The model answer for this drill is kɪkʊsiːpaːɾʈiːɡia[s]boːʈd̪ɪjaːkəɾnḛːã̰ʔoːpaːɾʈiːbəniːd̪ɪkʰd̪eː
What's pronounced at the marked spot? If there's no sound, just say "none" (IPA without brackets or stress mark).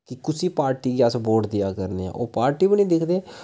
s